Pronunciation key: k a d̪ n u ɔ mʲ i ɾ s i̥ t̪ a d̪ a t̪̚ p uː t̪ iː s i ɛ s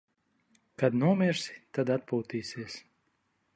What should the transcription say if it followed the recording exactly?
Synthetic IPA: k a d̪ n u ɔ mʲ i ɾ s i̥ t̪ a d̪ a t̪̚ p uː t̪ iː s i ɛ s